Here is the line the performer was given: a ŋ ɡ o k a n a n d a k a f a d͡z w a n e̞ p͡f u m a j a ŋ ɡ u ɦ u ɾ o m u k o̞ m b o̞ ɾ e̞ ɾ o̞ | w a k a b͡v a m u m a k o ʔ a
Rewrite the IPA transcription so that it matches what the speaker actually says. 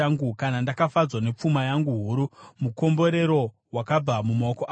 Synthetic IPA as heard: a ŋ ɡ u k a n a n d a k a f a d͡z w a n e̞ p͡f u m a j a ŋ ɡ u ɦ u ɾ u m u k o̞ m b o̞ ɾ e̞ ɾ o̞ | w a k a b͡v a m u m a k o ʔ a